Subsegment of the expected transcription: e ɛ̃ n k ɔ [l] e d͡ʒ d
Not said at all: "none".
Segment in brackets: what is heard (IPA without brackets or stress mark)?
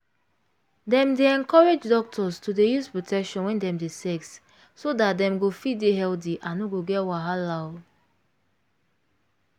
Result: ɹ